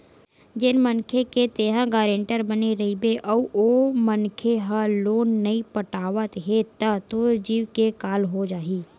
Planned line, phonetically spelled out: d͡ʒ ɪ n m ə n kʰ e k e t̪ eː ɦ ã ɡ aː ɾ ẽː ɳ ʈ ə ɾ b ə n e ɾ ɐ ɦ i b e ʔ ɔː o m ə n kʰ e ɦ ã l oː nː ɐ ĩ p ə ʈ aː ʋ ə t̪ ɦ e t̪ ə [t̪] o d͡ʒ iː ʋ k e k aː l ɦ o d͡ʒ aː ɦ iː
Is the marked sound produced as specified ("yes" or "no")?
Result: yes